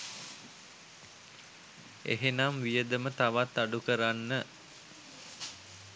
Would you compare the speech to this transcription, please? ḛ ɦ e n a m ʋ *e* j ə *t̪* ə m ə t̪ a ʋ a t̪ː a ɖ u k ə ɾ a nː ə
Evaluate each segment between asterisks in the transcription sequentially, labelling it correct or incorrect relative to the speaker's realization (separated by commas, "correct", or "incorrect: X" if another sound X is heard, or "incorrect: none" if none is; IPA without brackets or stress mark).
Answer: incorrect: i, incorrect: d̪